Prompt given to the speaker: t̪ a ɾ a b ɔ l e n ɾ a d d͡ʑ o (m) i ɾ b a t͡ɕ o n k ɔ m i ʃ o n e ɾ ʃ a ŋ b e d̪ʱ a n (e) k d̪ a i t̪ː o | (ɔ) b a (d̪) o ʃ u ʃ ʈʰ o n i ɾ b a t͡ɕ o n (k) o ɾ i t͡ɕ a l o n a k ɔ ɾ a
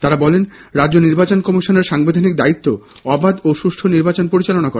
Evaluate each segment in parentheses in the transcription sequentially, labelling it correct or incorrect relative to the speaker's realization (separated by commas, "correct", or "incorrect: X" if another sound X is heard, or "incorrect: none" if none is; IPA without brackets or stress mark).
incorrect: n, incorrect: i, correct, correct, incorrect: p